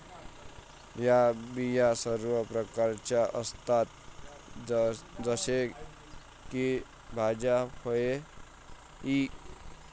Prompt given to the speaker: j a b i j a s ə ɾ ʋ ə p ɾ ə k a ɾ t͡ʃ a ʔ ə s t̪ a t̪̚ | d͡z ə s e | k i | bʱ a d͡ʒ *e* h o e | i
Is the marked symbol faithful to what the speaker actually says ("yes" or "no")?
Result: no